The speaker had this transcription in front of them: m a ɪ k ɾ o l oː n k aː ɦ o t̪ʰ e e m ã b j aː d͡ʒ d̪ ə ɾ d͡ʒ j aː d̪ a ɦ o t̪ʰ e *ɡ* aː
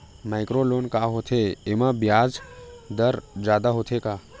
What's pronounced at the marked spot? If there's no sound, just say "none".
k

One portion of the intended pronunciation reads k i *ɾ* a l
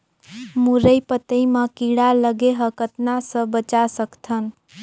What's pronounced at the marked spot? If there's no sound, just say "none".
ɽ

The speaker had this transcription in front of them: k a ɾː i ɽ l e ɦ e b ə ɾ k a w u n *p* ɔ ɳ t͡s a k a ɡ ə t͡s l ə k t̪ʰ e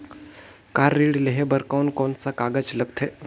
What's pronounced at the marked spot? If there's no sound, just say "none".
k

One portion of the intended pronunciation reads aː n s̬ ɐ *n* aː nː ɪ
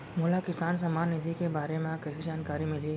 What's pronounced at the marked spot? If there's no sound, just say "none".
m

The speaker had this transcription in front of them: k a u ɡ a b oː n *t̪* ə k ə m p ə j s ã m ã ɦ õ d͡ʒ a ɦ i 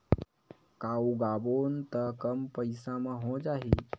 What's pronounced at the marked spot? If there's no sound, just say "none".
t̪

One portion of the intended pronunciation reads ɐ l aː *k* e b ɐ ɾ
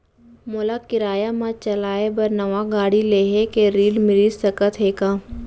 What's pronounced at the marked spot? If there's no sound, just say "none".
none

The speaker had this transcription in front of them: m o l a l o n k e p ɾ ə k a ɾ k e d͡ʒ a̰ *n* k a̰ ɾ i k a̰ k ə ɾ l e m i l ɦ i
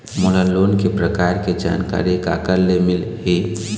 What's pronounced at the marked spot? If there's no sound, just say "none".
n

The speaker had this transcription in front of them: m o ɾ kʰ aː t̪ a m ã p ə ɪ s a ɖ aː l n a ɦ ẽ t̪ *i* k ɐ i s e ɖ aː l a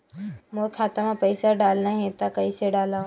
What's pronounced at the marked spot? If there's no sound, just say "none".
a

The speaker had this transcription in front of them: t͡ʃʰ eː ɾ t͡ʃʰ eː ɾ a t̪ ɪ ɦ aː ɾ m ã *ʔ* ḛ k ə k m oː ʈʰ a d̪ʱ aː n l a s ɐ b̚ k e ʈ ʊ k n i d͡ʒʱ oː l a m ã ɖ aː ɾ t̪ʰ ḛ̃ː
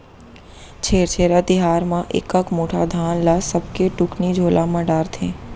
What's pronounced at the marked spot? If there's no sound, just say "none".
ʔ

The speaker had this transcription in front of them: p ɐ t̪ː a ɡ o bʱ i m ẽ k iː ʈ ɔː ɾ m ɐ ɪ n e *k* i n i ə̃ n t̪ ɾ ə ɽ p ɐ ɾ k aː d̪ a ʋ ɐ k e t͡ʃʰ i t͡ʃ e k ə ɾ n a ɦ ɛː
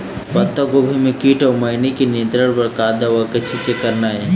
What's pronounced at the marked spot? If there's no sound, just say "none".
k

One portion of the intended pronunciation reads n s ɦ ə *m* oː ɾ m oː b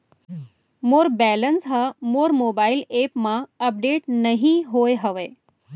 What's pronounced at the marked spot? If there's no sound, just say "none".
m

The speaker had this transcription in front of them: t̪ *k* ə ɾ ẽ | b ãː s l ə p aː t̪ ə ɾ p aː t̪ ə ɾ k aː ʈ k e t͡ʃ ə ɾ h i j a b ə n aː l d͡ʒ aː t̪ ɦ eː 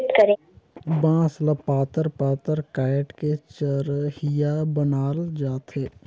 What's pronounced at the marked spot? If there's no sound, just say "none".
k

